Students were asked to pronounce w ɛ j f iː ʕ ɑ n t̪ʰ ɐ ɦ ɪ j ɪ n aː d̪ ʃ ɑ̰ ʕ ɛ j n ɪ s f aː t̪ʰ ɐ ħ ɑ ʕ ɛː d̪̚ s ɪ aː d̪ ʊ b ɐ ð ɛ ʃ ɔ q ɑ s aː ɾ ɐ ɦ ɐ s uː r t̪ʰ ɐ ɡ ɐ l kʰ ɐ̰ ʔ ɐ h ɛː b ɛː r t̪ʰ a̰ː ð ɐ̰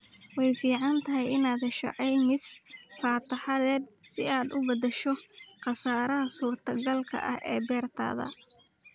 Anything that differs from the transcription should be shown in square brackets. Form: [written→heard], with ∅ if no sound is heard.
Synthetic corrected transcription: w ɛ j f iː ʕ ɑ n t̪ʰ ɐ ɦ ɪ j ɪ n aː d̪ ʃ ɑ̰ ʕ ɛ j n ɪ s f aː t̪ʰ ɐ ħ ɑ [ʕ→ð] ɛː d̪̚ s ɪ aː d̪ ʊ b ɐ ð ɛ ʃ ɔ q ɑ s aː ɾ ɐ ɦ ɐ s uː r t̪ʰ ɐ ɡ ɐ l kʰ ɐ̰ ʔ ɐ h ɛː b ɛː r t̪ʰ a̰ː ð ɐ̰